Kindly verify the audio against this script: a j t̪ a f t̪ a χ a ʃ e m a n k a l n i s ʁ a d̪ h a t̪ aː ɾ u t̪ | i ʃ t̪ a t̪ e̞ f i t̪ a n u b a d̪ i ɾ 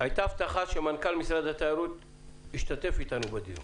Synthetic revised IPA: a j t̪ a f t̪ a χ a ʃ e m a n k a l m i s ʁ a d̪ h a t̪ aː ɾ u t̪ | i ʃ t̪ a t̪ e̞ f i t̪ a n u b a d̪ i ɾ

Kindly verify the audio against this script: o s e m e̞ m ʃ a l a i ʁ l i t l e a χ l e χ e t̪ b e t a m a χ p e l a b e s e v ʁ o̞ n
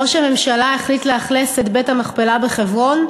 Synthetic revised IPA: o ʃ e m e̞ m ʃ a l a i χ l i t l e a χ l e s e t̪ b e t a m a χ p e l a b e χ e v ʁ o̞ n

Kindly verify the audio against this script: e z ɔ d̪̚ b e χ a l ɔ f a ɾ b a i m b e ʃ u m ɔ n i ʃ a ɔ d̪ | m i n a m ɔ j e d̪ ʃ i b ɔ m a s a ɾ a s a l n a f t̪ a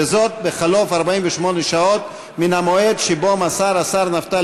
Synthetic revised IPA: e z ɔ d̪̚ b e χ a l ɔ f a ɾ b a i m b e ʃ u m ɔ n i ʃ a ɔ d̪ | m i n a m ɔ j e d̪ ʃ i b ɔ m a s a ɾ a s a ɾ n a f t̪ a

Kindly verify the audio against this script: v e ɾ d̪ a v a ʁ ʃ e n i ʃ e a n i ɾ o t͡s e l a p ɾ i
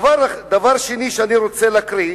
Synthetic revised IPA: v a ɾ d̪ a v a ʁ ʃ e n i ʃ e a n i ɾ o t͡s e l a k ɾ i

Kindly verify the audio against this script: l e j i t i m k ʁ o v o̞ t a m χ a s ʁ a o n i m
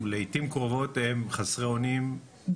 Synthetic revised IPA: l e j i t i m k ʁ o v o̞ t e m χ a s ʁ e o n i m

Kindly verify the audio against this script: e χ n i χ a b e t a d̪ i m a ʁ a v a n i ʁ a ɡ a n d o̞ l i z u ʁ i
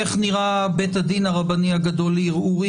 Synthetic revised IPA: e χ n i ʁ a b e t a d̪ i n a ʁ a b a n i a ɡ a d o̞ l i ʁ u ʁ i

